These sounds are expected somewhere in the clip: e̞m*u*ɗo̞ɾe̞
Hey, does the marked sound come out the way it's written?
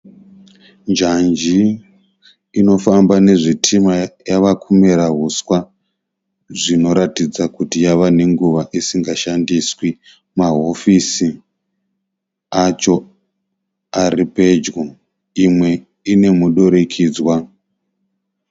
yes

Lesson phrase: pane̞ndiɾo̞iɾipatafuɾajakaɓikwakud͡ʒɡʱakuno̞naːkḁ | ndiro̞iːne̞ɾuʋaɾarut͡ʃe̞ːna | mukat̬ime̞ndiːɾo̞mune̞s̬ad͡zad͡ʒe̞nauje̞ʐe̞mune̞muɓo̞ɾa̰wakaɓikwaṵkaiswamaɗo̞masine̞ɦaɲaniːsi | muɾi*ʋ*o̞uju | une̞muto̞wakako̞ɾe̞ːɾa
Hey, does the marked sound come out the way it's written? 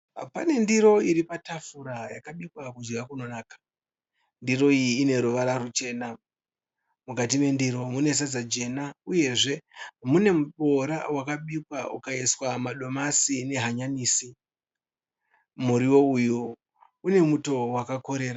no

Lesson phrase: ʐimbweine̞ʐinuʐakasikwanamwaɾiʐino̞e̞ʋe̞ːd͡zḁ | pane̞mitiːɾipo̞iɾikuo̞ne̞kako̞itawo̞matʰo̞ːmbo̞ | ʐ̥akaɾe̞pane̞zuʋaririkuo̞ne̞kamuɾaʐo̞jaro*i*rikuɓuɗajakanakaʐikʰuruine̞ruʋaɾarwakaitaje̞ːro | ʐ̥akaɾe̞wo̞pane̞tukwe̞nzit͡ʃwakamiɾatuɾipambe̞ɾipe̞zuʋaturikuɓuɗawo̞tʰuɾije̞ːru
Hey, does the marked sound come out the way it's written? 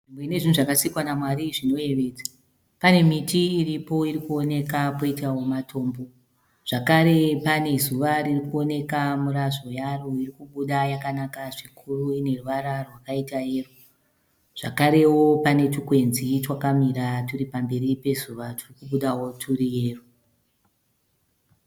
yes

